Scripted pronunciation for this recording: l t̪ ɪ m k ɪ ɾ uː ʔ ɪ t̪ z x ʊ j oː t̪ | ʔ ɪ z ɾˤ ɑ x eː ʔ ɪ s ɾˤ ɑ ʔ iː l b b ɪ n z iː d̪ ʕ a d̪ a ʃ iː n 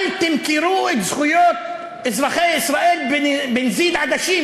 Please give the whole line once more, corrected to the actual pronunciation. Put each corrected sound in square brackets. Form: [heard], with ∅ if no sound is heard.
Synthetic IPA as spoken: l t̪ ɪ m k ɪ ɾ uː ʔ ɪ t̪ z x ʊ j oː t̪ | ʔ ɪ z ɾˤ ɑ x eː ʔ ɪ s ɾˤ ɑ ʔ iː l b b ɪ n z iː d̪ ʕ a d̪ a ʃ iː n